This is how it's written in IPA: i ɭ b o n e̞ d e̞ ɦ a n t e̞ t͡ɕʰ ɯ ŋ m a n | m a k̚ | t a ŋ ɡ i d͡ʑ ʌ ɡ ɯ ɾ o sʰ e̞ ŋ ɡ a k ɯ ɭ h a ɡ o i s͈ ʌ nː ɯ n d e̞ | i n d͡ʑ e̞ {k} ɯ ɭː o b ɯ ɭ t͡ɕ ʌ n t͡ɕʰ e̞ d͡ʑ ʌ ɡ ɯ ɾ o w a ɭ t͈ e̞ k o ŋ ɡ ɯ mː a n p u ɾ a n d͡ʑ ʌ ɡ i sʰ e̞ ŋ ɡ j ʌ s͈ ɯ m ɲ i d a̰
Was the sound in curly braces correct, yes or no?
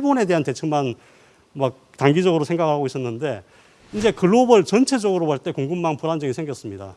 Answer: yes